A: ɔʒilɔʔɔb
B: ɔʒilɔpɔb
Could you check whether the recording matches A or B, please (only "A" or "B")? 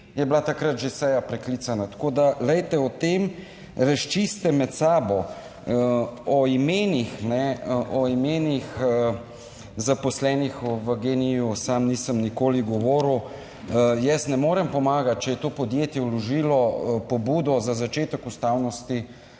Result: B